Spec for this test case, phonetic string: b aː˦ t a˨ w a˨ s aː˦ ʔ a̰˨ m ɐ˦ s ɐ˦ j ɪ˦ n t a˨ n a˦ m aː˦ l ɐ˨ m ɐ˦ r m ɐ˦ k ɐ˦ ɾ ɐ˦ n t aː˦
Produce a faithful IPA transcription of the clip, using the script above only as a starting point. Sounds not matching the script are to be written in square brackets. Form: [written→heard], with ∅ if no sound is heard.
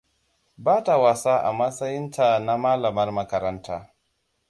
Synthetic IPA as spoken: b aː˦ t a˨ w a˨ s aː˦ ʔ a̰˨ m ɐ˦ s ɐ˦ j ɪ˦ n t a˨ n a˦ m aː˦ l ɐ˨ m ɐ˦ r m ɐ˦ k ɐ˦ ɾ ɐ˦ n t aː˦